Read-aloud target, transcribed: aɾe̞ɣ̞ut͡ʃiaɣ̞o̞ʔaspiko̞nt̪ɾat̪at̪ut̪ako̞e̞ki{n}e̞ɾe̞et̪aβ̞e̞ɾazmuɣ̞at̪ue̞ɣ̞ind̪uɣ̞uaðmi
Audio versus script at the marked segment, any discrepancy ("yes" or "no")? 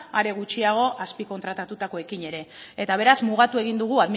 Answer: yes